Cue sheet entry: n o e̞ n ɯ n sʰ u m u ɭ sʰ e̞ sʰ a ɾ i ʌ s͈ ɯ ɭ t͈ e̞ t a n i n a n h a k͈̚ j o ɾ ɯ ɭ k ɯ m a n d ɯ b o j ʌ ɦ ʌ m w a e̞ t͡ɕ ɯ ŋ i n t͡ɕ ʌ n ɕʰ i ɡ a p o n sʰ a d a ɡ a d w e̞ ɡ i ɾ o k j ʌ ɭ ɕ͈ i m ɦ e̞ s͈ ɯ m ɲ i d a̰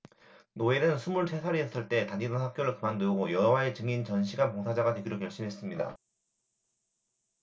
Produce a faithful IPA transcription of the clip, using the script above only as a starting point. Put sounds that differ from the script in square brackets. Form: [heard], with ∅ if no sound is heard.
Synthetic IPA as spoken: n o e̞ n ɯ n sʰ u m u ɭ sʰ e̞ sʰ a ɾ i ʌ s͈ ɯ ɭ t͈ e̞ t a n i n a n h a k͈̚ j o ɾ ɯ ɭ k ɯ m a n d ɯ [ɡ] o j ʌ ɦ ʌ [∅] w a e̞ t͡ɕ ɯ ŋ i n t͡ɕ ʌ n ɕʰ i ɡ a p o [ŋ] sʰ a [d͡ʑ] a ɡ a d w e̞ ɡ i ɾ o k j ʌ ɭ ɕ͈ i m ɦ e̞ s͈ ɯ m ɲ i d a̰